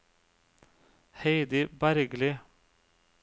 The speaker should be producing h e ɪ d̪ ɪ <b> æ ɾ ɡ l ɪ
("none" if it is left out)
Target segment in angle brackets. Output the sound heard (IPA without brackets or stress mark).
b